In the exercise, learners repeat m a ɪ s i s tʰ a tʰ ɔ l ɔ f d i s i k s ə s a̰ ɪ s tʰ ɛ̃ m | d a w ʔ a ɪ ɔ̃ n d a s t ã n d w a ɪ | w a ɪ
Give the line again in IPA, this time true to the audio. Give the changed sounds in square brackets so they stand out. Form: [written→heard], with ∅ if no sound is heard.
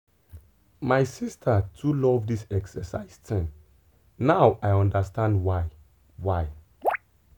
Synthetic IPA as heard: m a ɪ s i s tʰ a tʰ [ɔ→u] l ɔ [f→v] d i s [i→ɛ] k s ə s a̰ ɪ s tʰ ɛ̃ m | [d→n] a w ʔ a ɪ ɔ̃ n d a s t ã n d w a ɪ | w a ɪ